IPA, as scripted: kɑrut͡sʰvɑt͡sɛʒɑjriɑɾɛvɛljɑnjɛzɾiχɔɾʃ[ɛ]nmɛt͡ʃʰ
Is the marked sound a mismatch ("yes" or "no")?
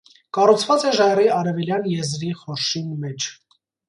yes